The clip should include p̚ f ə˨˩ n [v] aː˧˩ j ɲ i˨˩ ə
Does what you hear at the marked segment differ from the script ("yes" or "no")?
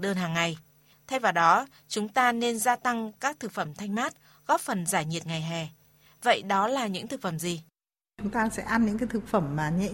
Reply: yes